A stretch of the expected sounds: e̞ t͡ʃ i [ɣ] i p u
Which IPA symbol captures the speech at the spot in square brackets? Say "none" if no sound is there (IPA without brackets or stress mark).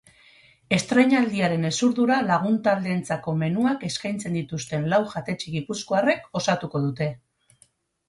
ɣ